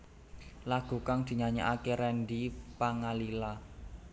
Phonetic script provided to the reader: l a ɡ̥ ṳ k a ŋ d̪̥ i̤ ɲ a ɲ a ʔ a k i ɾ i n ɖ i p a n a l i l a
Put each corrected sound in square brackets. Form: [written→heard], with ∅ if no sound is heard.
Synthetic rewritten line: l a ɡ̥ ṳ k a ŋ d̪̥ i̤ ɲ a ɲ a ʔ a k [i→e] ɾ [i→ɛ] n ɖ i p a [n→ŋ] a l i l a